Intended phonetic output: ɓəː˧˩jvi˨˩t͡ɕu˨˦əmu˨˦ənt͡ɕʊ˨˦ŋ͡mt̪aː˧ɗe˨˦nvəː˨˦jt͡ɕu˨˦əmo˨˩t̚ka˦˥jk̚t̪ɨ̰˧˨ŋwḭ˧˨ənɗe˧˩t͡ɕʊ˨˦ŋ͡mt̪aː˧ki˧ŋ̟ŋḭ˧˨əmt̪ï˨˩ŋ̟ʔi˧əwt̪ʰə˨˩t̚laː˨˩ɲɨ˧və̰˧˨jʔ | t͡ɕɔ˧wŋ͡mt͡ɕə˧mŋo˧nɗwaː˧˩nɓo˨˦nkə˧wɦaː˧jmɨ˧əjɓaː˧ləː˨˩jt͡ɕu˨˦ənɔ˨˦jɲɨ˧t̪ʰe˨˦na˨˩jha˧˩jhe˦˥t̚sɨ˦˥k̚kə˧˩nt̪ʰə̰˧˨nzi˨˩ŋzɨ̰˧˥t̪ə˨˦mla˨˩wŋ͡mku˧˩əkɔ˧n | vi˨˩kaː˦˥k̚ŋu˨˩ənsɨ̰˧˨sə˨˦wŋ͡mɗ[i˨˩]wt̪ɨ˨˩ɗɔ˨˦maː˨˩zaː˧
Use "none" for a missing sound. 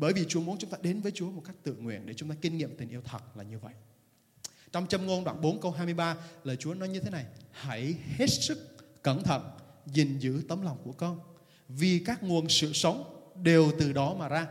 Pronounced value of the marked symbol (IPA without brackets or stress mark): e˨˩